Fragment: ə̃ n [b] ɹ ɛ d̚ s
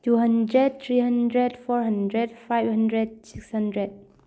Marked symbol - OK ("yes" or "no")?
no